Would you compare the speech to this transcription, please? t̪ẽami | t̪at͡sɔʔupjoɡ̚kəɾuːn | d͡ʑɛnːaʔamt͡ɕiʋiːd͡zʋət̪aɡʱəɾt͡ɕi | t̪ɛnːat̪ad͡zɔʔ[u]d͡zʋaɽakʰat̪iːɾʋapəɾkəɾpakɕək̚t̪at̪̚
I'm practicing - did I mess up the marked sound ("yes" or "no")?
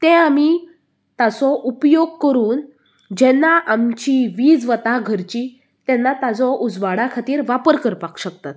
no